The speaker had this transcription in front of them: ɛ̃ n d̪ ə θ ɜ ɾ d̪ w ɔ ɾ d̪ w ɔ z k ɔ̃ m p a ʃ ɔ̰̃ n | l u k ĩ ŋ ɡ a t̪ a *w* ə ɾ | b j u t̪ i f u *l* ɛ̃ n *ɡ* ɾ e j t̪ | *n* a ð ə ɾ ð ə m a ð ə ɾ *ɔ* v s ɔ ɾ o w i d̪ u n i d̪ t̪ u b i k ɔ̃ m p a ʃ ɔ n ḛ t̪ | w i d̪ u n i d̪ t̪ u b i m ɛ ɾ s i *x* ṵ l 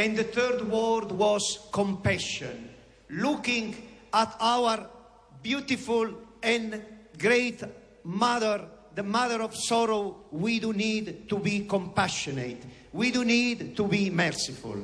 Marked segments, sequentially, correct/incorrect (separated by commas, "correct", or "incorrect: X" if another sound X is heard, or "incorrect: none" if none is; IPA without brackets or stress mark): correct, correct, correct, incorrect: m, correct, incorrect: f